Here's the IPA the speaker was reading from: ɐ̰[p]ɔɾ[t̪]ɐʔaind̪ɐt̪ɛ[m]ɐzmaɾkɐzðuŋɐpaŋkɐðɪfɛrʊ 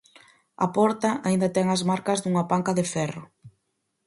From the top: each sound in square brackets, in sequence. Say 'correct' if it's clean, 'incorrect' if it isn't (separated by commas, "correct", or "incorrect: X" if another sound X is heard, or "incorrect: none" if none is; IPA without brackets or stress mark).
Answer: correct, correct, incorrect: ŋ